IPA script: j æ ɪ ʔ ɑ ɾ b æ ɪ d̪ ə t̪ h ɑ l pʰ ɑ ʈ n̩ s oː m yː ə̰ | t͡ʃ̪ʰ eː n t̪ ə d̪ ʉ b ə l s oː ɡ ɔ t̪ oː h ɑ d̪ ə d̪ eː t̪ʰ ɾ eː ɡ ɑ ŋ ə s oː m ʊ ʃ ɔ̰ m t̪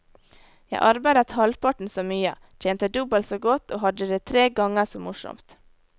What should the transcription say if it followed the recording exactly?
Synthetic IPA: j æ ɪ ʔ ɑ ɾ b æ ɪ d̪ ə t̪ h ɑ l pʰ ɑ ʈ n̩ s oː m yː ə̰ | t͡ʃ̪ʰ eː n t̪ ə d̪ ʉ b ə l s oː ɡ ɔ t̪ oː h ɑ d̪ ə d̪ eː t̪ʰ ɾ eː ɡ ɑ ŋ ə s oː m ʊ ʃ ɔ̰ m t̪